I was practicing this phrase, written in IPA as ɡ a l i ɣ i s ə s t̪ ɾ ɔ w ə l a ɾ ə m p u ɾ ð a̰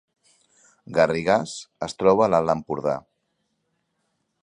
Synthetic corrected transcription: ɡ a r i ɣ a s ə s t̪ ɾ ɔ β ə l a l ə m p u ɾ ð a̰